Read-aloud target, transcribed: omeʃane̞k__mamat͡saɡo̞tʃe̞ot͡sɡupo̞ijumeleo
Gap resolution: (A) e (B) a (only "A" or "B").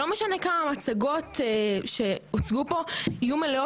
B